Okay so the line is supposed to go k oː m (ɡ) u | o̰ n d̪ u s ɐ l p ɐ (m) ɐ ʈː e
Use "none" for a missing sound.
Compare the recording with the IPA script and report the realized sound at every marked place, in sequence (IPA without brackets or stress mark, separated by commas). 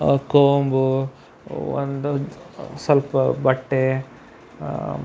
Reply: b, b